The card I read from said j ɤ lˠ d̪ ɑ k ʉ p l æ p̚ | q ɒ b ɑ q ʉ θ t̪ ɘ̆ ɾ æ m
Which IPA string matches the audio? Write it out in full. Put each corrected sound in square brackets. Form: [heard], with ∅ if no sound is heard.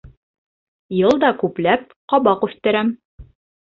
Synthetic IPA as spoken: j ɤ lˠ d̪ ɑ k ʉ p l æ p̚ | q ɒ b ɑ q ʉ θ t̪ ɘ̆ ɾ æ m